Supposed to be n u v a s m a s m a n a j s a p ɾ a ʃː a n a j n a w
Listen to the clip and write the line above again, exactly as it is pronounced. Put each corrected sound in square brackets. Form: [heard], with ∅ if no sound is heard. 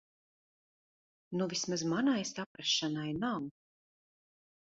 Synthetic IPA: n u v [i] s m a [z] m a n a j s a p ɾ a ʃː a n a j n a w